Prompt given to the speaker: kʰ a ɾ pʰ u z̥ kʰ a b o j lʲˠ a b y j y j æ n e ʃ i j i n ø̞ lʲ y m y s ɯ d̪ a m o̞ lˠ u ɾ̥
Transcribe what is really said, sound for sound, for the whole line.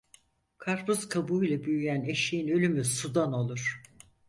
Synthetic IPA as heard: kʰ a ɾ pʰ u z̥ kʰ a b u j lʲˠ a b y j y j æ n e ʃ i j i n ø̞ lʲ y m y s u d̪ a n o̞ lˠ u ɾ̥